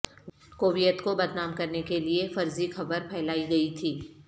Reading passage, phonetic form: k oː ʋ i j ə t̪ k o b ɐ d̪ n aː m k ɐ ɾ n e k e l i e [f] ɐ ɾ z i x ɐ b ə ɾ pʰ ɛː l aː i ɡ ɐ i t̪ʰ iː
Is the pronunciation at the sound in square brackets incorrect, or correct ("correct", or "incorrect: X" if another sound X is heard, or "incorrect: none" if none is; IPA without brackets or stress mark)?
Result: correct